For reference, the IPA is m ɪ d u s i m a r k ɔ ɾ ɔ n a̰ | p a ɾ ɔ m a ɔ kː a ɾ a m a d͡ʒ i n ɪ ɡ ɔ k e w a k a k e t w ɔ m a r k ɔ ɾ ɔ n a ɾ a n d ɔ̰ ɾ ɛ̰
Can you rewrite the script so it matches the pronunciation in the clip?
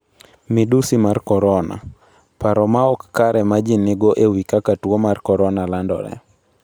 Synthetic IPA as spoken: m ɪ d u s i m a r k ɔ ɾ ɔ n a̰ | p a ɾ ɔ m a ɔ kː a ɾ ɛ m a d͡ʒ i n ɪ ɡ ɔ ʔ e w i k a k a t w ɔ m a r k ɔ ɾ ɔ n a l a n d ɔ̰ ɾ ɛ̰